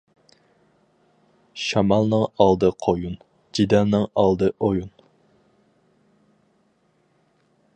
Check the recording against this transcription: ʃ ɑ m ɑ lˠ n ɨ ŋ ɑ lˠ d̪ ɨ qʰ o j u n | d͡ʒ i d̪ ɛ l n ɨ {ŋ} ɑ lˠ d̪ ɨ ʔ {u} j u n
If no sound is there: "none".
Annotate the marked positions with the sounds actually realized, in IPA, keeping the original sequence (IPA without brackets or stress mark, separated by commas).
ŋ, o